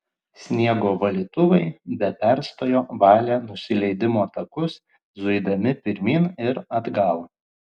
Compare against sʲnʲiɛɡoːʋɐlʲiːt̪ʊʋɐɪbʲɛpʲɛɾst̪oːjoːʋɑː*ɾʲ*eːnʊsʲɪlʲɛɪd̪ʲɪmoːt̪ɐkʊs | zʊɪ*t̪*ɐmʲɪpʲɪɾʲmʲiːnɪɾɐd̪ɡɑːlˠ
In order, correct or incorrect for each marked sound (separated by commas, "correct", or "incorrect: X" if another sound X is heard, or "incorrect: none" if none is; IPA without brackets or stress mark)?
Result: incorrect: lʲ, incorrect: d̪